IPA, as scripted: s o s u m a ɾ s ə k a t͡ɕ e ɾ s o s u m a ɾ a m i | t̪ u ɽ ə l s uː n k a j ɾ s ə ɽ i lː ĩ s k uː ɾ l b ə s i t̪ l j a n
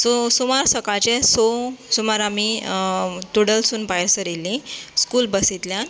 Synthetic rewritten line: s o s u m a ɾ s ə k a t͡ɕ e s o s u m a ɾ a m i | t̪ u ɽ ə l s uː n p a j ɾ s ə ɾ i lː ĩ s k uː l b ə s i t̪ l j a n